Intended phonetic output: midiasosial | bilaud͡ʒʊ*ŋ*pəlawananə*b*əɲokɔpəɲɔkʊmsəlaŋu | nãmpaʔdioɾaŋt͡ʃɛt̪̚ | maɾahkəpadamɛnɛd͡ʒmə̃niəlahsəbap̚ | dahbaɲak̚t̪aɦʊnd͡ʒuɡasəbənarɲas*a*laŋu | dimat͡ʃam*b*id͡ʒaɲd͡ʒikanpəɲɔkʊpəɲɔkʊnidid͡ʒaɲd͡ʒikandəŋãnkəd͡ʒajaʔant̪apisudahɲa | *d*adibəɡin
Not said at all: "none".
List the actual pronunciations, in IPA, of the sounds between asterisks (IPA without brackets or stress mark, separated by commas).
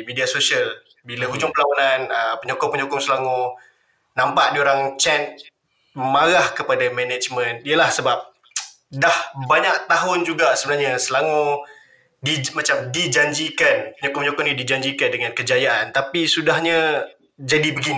ŋ, p, ə, d, d͡ʒ